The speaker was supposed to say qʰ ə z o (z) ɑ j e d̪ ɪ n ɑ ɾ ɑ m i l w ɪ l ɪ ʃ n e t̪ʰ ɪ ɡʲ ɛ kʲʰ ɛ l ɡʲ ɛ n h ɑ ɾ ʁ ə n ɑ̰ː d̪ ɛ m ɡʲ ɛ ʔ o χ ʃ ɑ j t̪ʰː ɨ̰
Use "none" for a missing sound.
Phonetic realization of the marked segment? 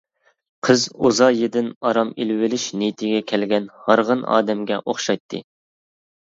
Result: z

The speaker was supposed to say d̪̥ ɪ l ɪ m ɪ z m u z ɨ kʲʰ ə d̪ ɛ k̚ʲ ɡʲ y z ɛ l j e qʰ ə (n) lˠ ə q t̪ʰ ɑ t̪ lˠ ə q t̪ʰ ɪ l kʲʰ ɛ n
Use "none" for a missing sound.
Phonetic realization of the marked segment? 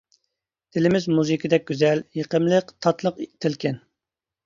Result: m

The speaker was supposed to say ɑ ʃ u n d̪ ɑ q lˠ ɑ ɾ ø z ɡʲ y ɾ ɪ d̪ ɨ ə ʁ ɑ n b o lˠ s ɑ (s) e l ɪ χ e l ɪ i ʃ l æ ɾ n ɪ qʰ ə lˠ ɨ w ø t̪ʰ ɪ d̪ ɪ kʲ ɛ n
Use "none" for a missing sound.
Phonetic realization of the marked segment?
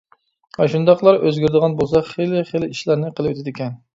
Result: χ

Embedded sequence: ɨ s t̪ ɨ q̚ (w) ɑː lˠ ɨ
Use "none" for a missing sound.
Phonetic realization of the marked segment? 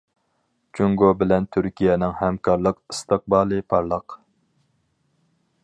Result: b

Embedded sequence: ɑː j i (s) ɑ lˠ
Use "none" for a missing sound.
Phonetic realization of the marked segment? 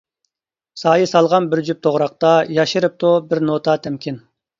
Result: s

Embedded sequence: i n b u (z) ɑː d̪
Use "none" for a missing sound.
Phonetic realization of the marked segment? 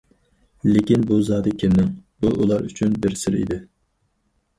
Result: z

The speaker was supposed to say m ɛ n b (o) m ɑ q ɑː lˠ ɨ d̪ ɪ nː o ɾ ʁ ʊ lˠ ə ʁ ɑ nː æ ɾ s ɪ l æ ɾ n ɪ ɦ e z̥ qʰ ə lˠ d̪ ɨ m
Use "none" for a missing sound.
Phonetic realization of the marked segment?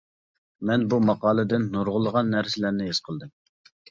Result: u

